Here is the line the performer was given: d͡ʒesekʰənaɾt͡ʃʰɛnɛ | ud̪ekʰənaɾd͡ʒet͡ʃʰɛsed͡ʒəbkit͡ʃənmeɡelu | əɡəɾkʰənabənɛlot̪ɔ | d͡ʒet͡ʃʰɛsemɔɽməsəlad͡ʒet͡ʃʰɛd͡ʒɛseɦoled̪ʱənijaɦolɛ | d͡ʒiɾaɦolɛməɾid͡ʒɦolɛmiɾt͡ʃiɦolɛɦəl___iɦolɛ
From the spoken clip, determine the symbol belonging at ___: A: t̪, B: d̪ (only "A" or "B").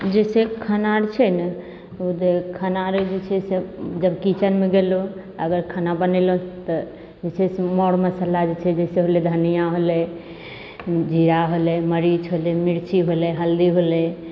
B